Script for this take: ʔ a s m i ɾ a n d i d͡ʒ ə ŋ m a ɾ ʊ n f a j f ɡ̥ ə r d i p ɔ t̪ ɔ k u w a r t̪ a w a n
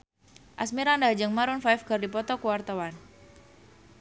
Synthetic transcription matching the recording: ʔ a s m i ɾ a n d a d͡ʒ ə ŋ m a ɾ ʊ n f a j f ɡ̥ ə r d i p ɔ t̪ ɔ k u w a r t̪ a w a n